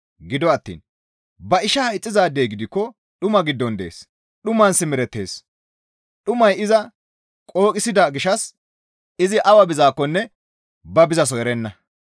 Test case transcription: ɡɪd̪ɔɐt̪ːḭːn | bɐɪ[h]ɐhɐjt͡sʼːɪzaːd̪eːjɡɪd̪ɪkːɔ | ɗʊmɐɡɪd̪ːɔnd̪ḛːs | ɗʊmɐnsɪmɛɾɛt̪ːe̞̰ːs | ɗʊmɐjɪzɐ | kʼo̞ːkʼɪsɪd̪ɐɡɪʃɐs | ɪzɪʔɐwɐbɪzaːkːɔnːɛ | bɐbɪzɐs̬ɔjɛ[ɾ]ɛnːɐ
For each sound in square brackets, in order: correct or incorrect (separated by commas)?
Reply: incorrect, correct